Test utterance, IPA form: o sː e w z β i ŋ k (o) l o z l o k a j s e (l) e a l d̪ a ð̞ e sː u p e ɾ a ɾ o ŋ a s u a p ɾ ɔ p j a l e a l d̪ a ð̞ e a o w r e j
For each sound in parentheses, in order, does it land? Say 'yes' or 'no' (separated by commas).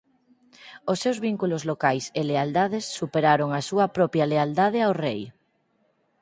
no, yes